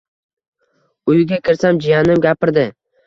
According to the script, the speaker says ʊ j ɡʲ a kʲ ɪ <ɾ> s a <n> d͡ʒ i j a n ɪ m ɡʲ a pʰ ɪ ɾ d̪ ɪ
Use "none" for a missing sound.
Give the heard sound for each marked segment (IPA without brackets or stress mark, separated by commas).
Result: ɾ, m